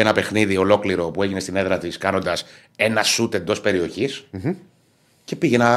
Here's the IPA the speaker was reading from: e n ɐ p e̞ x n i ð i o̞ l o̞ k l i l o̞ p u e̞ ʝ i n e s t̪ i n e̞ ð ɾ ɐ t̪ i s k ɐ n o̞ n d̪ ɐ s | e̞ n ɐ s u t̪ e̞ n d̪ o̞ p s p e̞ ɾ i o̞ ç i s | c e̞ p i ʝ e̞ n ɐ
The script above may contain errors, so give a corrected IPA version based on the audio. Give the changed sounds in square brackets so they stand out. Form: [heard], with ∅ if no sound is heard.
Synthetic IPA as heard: e n ɐ p e̞ x n i ð i o̞ l o̞ k l i [ɾ] o̞ p u e̞ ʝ i n e s t̪ i n e̞ ð ɾ ɐ t̪ i s k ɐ n o̞ n d̪ ɐ s | e̞ n ɐ s u t̪ e̞ n d̪ o̞ [∅] s p e̞ ɾ i o̞ ç i s | c e̞ p i ʝ e̞ n ɐ